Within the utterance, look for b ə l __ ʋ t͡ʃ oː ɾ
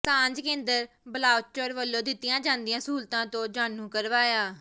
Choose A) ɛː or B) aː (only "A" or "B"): B